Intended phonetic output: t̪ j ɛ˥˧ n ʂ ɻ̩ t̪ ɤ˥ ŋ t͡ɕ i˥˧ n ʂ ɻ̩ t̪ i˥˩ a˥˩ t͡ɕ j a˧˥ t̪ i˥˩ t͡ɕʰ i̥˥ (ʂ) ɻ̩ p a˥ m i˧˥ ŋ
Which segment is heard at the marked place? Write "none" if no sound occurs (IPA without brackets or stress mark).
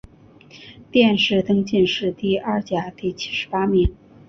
ʂ